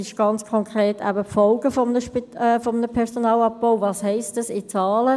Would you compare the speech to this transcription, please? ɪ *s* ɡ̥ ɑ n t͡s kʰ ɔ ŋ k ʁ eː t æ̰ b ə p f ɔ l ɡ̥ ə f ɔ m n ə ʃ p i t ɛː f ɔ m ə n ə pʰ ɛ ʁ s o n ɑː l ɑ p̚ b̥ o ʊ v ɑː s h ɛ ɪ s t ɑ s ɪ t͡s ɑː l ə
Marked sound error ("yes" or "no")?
yes